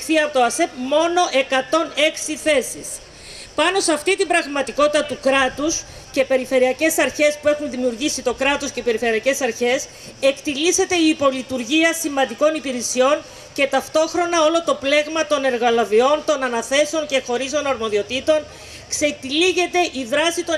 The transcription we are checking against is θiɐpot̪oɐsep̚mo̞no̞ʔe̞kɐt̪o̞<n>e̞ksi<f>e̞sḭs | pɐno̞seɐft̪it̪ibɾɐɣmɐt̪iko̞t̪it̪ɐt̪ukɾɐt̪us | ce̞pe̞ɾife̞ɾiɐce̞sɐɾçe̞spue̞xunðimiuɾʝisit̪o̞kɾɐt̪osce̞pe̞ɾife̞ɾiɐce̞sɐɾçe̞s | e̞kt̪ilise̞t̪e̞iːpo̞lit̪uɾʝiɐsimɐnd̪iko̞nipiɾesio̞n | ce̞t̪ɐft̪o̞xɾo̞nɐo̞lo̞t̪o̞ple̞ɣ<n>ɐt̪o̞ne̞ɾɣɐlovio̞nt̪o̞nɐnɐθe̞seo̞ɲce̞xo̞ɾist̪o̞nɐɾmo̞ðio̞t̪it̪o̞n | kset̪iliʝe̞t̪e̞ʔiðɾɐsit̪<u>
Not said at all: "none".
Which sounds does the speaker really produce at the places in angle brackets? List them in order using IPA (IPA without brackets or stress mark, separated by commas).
n, θ, m, o